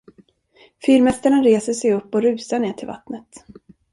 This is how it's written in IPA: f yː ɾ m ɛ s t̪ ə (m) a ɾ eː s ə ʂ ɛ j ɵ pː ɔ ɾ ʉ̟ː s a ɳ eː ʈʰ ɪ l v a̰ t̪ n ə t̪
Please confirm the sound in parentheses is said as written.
no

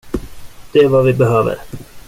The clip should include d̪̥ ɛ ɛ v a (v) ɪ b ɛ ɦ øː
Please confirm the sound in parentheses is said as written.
yes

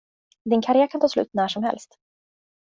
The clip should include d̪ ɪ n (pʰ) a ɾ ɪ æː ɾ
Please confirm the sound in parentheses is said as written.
no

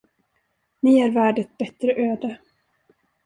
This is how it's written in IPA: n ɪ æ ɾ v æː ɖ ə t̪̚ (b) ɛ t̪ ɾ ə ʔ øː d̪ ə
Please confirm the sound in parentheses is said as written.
yes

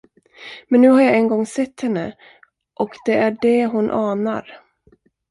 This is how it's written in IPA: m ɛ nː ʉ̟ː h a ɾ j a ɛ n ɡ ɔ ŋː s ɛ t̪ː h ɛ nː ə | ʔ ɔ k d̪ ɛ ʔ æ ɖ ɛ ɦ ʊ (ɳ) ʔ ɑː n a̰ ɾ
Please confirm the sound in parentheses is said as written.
no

